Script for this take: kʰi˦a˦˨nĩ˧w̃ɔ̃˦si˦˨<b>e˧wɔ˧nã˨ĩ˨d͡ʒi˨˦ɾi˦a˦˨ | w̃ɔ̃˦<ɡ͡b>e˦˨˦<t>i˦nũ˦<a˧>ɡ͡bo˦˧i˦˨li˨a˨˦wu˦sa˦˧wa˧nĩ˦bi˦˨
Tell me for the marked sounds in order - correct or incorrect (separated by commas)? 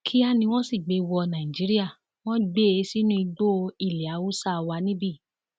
incorrect, correct, incorrect, incorrect